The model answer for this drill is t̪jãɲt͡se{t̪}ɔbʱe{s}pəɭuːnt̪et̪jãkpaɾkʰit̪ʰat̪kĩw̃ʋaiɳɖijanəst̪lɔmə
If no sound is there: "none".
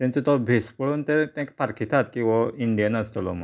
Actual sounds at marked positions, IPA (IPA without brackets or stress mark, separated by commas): t̪, s